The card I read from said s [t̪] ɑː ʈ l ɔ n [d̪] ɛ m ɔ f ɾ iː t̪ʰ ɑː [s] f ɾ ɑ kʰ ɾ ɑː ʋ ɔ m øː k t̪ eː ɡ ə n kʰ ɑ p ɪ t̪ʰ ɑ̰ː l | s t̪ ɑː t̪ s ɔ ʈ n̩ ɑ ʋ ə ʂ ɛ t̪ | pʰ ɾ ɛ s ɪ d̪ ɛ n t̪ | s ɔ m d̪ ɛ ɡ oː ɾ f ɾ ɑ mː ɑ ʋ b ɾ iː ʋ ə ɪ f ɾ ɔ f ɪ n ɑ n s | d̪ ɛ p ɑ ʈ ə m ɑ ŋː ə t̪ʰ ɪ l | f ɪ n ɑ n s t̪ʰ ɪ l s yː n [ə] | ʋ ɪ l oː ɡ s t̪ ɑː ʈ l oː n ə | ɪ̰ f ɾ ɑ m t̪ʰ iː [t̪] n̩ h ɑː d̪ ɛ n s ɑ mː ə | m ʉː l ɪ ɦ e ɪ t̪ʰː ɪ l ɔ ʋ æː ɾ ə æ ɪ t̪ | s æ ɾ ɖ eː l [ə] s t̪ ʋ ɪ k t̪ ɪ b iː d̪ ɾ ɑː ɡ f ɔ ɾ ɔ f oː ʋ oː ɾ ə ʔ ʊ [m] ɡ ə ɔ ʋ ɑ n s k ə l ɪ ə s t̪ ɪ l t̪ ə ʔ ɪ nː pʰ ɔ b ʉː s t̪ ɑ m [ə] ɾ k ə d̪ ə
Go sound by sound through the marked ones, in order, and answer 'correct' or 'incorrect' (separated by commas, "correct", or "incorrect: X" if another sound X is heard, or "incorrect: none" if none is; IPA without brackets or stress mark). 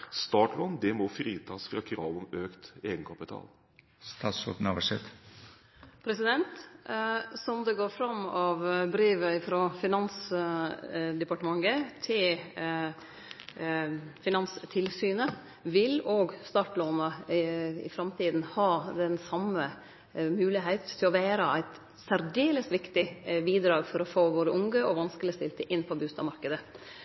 correct, correct, correct, correct, incorrect: d̪, correct, incorrect: ŋ, incorrect: ɑ